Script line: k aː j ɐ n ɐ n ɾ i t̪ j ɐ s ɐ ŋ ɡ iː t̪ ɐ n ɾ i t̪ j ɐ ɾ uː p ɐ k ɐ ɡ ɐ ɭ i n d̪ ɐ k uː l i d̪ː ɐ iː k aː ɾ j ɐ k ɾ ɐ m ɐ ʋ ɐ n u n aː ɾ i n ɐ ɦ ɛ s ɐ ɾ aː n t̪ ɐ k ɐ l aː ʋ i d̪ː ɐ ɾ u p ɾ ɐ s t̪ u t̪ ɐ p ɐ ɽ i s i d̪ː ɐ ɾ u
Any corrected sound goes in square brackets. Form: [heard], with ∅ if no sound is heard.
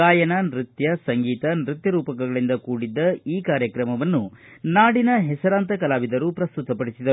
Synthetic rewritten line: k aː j ɐ n ɐ n ɾ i t̪ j ɐ s ɐ ŋ ɡ iː t̪ ɐ n ɾ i t̪ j ɐ ɾ uː p ɐ k ɐ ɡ ɐ ɭ i n d̪ ɐ k uː [ɽ] i d̪ː ɐ iː k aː ɾ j ɐ k ɾ ɐ m ɐ ʋ ɐ [nː] u n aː [ɽ] i n ɐ ɦ ɛ s ɐ ɾ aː n t̪ ɐ k ɐ l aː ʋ i [d̪] ɐ ɾ u p ɾ ɐ s t̪ u t̪ ɐ p ɐ ɽ i s i [d̪] ɐ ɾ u